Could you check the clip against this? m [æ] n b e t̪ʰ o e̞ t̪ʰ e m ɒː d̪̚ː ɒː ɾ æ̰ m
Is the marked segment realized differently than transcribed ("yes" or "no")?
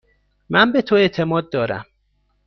no